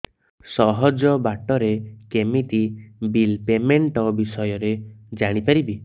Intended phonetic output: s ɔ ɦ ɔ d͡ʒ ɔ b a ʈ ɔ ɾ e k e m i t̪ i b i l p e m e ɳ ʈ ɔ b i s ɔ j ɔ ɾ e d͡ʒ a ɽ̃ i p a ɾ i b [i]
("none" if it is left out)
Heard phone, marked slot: i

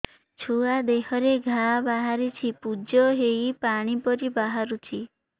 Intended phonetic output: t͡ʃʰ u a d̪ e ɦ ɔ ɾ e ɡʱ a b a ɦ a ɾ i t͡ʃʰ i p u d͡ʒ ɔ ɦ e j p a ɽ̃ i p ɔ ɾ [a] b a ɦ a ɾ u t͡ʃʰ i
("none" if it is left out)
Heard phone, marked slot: i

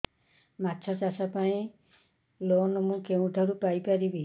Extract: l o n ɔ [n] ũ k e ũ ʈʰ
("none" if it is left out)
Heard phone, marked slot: m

